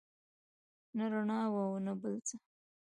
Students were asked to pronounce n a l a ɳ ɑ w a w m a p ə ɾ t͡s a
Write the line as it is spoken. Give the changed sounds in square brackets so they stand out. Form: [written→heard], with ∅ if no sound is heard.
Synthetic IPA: n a [l→ɾ] a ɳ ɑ w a w [m→n] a [p→b] ə [ɾ→l] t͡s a